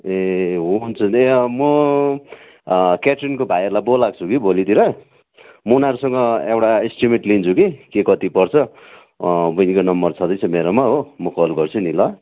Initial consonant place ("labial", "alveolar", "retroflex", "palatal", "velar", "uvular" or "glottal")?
glottal